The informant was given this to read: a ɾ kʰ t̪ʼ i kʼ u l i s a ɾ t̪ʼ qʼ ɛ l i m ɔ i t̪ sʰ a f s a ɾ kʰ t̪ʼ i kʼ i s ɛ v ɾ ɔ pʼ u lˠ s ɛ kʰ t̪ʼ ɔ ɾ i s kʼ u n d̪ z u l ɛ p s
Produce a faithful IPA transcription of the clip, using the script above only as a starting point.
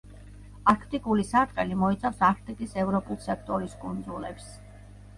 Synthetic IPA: a ɾ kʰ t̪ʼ i kʼ u l i s a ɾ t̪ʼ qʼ ɛ l i m ɔ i t̪ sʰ a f s a ɾ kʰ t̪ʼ i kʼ i s ɛ v ɾ ɔ pʼ u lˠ s ɛ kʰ t̪ʼ ɔ ɾ i s kʼ u n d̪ z u l ɛ p s